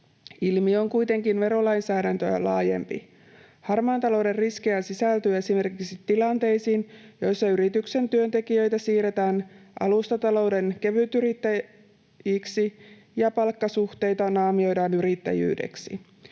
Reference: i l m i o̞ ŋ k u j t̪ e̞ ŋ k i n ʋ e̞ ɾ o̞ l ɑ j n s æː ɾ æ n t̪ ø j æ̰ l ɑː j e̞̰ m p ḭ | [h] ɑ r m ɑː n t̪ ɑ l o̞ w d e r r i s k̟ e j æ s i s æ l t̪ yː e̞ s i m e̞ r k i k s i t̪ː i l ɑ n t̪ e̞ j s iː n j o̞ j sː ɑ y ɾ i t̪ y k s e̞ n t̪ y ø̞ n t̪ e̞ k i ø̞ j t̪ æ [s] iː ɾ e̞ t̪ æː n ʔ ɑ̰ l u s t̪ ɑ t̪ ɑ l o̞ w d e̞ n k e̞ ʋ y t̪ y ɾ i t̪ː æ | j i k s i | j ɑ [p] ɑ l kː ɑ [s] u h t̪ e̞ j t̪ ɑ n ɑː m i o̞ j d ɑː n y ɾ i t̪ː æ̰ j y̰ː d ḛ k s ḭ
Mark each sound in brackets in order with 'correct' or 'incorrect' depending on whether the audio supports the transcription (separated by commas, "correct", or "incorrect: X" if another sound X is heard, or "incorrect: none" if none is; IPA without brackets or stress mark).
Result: correct, correct, correct, correct